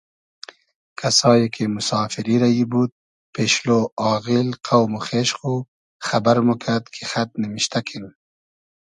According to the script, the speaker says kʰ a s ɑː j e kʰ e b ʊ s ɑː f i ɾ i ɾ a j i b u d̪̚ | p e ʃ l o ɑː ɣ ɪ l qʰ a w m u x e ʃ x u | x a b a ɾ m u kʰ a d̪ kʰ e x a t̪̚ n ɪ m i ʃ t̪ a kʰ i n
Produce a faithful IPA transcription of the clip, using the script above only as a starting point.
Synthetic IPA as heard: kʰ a s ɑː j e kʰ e m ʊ s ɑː f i ɾ i ɾ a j i b u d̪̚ | p e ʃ l o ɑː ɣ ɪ l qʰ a w m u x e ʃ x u | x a b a ɾ m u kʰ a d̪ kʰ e x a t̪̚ n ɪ m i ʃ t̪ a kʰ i n